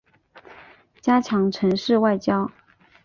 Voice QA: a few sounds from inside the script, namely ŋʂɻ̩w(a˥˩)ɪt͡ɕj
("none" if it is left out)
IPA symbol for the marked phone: a˥˩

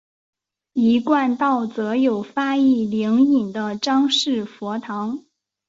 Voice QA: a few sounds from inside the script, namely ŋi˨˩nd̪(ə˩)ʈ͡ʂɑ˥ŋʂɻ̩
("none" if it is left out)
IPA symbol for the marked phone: ə˦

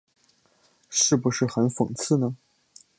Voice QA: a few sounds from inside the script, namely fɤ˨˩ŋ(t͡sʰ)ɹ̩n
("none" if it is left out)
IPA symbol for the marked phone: t͡sʰ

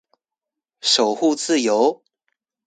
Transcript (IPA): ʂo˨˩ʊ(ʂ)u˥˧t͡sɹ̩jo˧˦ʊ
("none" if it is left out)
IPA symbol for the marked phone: x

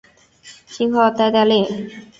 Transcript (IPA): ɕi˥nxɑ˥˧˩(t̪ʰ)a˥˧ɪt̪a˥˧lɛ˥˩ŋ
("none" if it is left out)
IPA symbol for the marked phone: t̪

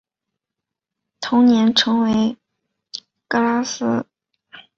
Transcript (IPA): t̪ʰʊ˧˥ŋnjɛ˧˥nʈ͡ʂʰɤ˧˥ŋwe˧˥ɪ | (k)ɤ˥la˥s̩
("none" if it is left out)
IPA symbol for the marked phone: k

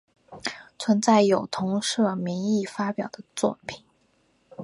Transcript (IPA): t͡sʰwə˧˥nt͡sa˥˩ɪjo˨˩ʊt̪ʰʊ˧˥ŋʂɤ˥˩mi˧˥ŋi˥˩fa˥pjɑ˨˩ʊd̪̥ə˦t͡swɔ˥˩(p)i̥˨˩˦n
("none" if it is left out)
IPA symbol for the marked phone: pʰ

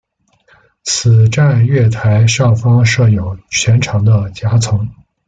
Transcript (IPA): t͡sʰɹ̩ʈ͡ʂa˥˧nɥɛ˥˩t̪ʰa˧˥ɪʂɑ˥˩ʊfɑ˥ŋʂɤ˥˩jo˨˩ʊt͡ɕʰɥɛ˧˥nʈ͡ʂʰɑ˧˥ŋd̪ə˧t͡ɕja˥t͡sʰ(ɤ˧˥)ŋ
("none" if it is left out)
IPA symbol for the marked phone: ɤ˧˥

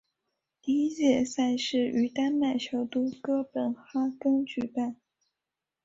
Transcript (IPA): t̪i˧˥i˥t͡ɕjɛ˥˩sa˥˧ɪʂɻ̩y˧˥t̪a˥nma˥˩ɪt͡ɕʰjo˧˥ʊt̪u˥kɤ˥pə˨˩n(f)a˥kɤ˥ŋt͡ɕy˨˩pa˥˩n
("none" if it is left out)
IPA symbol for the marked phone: x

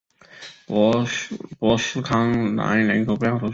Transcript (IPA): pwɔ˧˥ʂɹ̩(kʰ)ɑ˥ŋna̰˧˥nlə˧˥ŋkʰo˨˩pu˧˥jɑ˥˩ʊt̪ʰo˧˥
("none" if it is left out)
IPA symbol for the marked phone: kʰ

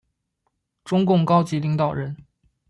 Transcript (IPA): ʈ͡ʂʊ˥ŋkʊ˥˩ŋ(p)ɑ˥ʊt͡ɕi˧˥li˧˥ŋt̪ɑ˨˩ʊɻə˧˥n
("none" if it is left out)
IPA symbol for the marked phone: k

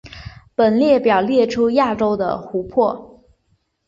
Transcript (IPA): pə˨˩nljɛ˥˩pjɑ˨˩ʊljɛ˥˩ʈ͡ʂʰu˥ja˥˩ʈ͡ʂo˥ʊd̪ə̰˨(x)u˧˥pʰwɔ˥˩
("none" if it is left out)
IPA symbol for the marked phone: x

